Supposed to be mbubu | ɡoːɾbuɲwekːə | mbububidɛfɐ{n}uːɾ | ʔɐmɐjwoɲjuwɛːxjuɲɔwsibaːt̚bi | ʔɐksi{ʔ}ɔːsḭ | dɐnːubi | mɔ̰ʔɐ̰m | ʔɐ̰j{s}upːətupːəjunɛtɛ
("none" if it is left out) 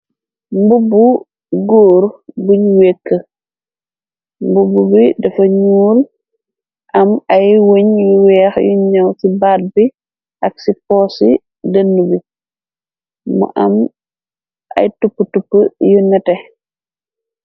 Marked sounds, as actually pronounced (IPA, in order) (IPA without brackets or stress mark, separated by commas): ɲ, p, t